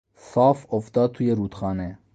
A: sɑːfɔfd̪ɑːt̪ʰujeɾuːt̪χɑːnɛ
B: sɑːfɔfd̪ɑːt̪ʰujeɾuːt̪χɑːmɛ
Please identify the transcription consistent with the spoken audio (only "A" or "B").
A